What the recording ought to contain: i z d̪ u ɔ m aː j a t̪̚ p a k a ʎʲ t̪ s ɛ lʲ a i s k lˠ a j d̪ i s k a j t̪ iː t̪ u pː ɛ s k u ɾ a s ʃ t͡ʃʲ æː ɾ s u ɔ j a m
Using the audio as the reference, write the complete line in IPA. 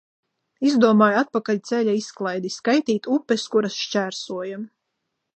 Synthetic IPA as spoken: i z d̪ u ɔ m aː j a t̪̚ p a k a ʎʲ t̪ s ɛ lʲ a i s k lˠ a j d̪ i s k a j t̪ iː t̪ u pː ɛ s k u ɾ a s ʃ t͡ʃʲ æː ɾ s u ɔ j a m